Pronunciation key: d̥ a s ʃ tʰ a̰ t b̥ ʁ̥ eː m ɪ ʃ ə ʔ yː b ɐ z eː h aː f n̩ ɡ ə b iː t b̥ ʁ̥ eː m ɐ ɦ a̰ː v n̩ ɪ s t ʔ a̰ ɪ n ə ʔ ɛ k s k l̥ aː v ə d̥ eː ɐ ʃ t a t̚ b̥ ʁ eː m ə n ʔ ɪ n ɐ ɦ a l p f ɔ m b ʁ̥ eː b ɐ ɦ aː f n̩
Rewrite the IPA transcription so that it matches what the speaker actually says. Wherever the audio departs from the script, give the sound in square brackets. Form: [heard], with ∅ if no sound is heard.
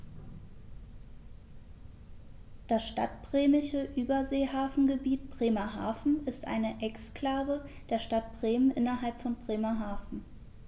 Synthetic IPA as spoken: d̥ a s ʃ [t] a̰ t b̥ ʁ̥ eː m ɪ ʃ ə ʔ yː b ɐ z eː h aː f n̩ ɡ ə b iː t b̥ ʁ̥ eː m ɐ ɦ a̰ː [f] n̩ ɪ s t ʔ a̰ ɪ n ə ʔ ɛ k s k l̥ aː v ə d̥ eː ɐ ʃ t a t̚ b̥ ʁ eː m ə n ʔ ɪ n ɐ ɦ a l p f ɔ [n] b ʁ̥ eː [m] ɐ ɦ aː f n̩